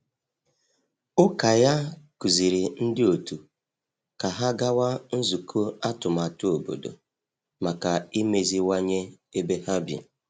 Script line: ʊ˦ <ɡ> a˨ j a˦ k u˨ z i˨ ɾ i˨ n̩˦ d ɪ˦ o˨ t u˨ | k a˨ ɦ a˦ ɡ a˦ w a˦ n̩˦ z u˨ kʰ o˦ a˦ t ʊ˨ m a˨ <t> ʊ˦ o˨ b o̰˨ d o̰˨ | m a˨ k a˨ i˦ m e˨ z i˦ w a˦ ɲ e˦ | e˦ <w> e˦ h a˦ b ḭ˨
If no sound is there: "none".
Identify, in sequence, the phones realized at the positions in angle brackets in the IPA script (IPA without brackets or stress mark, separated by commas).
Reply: k, t, b